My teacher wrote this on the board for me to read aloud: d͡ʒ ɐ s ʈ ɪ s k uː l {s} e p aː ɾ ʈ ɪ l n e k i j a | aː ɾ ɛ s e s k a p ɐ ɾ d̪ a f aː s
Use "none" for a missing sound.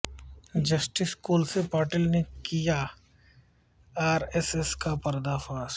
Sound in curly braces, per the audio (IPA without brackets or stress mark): s